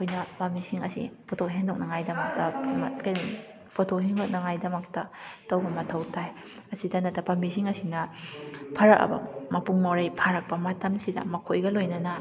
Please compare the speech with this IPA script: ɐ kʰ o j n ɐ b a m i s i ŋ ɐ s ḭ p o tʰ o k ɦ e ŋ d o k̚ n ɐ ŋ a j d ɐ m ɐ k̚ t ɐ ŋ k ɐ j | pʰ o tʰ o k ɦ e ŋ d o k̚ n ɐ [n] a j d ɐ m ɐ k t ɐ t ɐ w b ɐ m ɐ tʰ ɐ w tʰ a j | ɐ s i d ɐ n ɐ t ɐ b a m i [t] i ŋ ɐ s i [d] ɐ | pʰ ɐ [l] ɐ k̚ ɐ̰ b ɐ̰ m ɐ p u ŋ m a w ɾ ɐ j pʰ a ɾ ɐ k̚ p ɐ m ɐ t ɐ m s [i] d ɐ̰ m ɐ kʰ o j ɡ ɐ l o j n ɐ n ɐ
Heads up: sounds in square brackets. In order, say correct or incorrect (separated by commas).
incorrect, incorrect, incorrect, incorrect, correct